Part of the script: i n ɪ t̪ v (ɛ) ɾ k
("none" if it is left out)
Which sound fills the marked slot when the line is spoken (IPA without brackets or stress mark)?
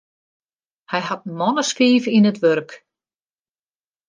œ